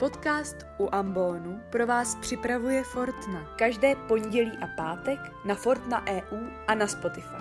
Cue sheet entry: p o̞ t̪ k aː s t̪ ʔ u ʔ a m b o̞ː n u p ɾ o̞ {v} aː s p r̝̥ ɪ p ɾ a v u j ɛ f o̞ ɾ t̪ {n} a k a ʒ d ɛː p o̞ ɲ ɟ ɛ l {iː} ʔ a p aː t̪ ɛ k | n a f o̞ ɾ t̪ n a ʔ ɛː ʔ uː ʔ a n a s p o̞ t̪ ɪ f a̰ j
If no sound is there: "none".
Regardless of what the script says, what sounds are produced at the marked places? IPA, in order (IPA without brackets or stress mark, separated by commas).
v, n, iː